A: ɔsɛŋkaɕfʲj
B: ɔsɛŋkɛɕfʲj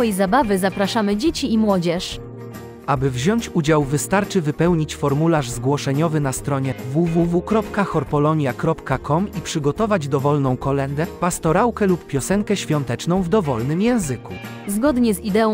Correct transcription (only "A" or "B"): B